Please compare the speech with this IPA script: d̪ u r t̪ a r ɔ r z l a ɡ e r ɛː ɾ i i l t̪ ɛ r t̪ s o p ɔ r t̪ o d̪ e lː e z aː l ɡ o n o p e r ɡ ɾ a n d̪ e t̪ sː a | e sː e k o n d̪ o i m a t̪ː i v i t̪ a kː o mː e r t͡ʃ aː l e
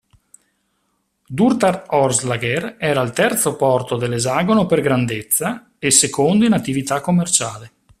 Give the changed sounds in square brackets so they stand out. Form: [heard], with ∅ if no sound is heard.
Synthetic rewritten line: d̪ u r t̪ a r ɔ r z l a ɡ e r ɛː ɾ [a] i l t̪ ɛ r t̪ s o p ɔ r t̪ o d̪ e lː e z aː [∅] ɡ o n o p e r ɡ ɾ a n d̪ e t̪ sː a | e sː e k o n d̪ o i [n] a t̪ː i v i t̪ a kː o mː e r t͡ʃ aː l e